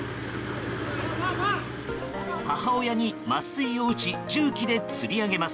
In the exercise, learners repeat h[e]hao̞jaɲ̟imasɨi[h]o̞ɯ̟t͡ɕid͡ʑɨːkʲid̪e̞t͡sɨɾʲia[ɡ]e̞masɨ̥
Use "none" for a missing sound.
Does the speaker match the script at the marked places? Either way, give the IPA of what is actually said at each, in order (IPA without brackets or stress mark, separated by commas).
a, none, ɡ